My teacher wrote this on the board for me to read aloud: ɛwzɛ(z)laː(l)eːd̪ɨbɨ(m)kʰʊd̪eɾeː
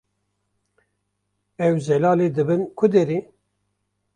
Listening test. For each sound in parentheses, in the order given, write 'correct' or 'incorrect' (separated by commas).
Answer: incorrect, correct, incorrect